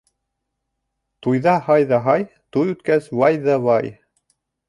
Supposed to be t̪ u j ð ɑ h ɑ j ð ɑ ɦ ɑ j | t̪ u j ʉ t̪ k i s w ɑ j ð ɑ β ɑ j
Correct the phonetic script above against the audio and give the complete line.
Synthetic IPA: t̪ u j ð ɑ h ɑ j ð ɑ ɦ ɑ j | t̪ u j ʉ t̪ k æ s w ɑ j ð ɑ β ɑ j